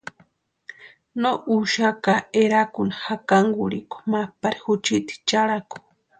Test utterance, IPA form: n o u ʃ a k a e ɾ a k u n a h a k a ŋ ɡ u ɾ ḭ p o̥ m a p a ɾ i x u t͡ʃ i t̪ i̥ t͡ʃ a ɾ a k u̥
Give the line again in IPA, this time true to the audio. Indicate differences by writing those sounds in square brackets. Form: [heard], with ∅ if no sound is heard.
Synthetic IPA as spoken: n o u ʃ a k a e ɾ a k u n a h a k a ŋ ɡ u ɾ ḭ [k] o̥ m a p a ɾ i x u t͡ʃ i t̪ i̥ t͡ʃ a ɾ a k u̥